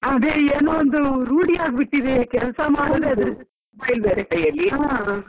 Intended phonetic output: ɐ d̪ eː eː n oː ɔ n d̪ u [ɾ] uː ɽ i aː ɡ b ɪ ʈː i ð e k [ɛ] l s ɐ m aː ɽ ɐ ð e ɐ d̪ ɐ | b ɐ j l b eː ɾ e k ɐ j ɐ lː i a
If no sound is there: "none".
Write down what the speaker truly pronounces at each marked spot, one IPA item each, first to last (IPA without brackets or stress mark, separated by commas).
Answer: ɾ, ɛ